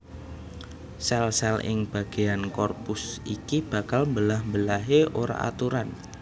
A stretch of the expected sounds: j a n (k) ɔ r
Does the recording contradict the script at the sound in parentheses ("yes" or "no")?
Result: no